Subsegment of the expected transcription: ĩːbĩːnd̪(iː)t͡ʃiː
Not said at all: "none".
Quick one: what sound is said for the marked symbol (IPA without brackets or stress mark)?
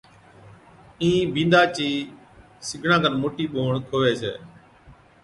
aː